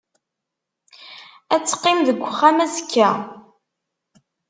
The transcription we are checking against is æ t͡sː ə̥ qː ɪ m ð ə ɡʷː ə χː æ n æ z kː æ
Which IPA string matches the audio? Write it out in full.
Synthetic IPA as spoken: æ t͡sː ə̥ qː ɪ m ð ə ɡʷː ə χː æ m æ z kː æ